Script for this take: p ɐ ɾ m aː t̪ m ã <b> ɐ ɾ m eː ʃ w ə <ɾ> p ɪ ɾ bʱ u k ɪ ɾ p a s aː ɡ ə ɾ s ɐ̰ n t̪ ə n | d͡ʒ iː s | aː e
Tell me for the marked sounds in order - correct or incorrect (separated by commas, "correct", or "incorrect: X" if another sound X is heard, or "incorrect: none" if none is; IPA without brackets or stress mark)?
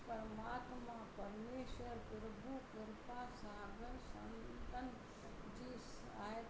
incorrect: p, correct